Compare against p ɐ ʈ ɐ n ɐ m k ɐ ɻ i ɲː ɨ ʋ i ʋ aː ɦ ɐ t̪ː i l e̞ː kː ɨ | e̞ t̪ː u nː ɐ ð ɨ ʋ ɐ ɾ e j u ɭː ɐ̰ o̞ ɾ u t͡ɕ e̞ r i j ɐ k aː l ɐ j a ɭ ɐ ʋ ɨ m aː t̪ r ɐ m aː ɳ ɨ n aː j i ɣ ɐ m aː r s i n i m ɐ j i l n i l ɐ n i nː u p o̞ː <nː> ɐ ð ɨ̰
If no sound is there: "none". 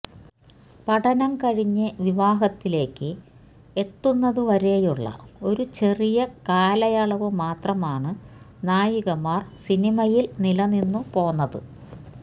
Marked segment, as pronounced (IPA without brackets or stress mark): nː